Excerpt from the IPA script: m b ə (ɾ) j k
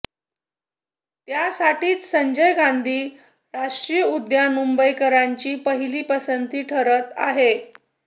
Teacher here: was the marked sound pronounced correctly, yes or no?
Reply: no